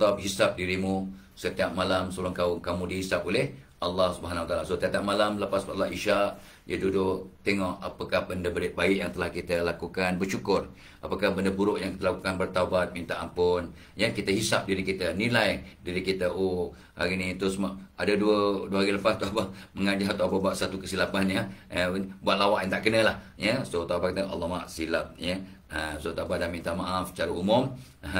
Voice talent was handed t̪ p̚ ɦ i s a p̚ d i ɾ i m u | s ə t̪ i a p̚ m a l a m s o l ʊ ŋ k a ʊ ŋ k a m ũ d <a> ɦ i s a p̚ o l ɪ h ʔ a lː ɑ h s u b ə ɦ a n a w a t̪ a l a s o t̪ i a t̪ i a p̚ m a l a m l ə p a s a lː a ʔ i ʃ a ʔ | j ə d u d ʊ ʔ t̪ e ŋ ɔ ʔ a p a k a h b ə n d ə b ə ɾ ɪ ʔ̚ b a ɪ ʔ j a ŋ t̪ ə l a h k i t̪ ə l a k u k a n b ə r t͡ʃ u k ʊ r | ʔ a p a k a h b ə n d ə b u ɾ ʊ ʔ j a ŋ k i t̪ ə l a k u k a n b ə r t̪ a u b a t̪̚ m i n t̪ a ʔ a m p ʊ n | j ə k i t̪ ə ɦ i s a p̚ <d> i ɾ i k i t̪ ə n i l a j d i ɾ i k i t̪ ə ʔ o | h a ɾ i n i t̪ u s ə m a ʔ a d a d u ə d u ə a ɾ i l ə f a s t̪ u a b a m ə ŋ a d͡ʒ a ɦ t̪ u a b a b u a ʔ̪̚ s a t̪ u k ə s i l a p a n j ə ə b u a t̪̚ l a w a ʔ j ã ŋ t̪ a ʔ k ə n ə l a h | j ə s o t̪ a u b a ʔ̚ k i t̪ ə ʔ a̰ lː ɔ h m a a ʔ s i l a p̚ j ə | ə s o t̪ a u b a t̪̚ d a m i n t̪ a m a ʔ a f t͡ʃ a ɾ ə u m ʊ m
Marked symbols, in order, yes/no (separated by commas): no, yes